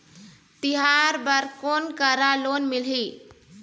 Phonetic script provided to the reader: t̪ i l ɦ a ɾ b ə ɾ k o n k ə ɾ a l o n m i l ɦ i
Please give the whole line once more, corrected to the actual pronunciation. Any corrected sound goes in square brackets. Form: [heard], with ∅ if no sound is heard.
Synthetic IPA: t̪ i [∅] ɦ a ɾ b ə ɾ k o n k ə ɾ a l o n m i l ɦ i